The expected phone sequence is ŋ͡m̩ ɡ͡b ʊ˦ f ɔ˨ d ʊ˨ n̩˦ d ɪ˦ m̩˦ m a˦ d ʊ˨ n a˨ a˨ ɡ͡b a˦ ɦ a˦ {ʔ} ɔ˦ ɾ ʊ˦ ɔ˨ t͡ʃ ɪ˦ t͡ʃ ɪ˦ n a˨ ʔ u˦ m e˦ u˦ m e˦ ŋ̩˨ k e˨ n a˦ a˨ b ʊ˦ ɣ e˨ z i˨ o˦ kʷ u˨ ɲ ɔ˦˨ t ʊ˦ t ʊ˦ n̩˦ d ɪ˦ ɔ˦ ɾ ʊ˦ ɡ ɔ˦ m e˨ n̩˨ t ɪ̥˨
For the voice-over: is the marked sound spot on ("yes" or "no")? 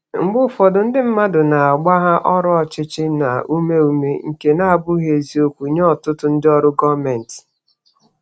yes